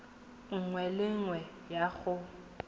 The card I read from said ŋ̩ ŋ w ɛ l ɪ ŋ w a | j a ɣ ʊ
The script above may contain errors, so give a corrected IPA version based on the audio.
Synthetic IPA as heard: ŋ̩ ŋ w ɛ l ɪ ŋ w ɛ | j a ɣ ʊ